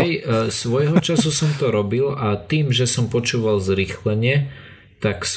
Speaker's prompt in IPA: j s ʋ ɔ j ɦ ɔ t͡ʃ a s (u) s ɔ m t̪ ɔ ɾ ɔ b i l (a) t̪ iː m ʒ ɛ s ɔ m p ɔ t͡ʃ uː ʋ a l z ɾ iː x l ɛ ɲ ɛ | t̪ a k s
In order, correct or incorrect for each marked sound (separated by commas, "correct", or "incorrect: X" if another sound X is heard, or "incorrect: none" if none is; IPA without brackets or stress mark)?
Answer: correct, correct